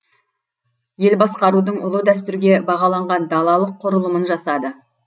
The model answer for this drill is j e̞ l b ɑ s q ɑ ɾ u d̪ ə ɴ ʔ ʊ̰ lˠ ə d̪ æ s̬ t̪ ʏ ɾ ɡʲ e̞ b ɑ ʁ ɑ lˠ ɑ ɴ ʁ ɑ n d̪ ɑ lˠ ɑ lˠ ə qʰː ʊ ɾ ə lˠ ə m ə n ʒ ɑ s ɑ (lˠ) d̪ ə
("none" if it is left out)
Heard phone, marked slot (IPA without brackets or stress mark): none